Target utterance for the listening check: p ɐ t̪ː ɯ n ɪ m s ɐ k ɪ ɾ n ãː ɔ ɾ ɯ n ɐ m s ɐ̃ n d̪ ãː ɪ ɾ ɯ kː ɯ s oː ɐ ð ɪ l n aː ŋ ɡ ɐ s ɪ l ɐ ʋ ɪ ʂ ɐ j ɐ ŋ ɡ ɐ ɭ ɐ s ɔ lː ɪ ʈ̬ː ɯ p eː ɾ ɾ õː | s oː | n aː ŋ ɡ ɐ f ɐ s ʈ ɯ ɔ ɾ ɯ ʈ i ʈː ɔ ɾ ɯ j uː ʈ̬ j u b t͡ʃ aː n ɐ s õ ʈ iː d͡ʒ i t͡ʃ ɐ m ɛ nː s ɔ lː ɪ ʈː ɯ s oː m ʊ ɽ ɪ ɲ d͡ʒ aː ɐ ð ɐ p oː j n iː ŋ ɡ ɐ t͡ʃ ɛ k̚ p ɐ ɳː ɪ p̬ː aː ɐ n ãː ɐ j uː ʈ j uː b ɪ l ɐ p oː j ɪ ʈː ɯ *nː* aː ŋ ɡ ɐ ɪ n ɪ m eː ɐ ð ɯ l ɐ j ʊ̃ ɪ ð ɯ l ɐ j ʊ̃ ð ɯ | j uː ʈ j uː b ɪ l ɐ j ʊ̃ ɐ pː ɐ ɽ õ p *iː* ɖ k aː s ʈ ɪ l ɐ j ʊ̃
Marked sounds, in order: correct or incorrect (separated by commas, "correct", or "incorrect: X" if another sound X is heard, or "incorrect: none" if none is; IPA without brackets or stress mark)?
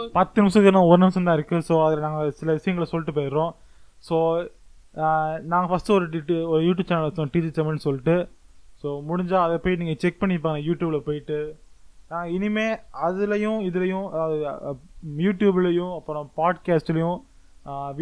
incorrect: n, incorrect: aː